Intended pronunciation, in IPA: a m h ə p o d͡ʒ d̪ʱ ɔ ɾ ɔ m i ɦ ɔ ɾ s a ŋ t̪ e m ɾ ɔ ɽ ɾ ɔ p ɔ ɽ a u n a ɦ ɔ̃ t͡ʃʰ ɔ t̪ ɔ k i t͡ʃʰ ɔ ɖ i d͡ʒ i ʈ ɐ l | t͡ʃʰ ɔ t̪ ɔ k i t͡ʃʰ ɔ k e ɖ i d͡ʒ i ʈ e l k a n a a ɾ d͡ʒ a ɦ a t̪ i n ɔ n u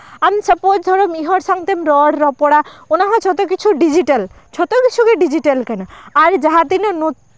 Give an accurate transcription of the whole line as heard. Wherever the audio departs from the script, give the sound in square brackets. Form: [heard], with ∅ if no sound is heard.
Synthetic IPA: a m [s] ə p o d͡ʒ d̪ʱ ɔ ɾ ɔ m i ɦ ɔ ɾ s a ŋ t̪ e m ɾ ɔ ɽ ɾ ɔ p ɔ ɽ a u n a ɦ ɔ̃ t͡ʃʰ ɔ t̪ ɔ k i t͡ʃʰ [u] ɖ i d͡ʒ i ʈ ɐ l | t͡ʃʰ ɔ t̪ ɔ k i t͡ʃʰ [u] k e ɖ i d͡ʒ i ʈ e l k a n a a ɾ d͡ʒ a ɦ a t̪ i n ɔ n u